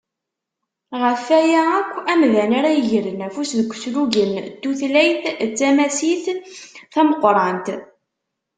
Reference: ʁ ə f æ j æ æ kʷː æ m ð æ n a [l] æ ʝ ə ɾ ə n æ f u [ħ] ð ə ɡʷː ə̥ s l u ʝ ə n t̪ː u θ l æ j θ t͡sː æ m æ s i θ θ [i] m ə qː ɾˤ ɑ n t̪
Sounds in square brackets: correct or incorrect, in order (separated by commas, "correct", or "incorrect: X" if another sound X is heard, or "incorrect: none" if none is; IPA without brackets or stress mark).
incorrect: ɾ, incorrect: s, incorrect: æ